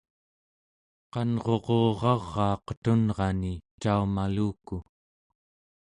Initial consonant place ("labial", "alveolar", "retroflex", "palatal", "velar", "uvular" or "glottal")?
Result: uvular